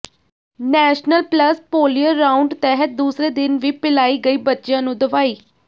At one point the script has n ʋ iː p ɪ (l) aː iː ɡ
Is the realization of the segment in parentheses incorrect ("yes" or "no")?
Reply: no